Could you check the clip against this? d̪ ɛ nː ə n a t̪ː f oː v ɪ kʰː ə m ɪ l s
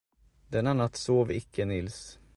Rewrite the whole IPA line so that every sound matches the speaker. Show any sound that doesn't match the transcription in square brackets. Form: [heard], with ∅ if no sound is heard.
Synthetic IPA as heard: d̪ ɛ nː [a] n a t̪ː [s] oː v ɪ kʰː ə [n] ɪ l s